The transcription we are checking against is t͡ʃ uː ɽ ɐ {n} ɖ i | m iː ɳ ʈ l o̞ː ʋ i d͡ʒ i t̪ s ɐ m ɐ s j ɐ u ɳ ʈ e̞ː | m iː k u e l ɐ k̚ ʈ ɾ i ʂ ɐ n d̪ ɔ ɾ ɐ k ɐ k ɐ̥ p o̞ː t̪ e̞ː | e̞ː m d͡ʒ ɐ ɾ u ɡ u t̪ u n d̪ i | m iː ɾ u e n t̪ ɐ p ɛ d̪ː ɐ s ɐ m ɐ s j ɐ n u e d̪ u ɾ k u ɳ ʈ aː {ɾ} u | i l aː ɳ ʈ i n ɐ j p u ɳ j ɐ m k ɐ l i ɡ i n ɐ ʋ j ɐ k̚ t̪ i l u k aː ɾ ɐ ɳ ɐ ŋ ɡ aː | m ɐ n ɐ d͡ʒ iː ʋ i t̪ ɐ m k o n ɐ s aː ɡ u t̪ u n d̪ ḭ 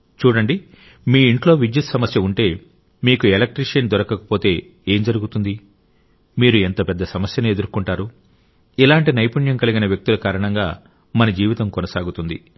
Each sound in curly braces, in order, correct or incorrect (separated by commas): incorrect, correct